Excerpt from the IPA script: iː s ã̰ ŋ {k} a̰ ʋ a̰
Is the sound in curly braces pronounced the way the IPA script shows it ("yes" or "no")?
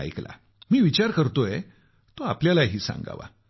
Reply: no